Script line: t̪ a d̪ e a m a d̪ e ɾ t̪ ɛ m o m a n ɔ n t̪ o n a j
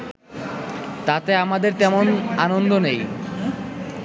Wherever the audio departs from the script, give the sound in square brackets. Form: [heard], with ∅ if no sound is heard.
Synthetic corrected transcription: t̪ a [t̪] e a m a d̪ e ɾ t̪ ɛ m o [n] a n [o] n [d̪] o n [e] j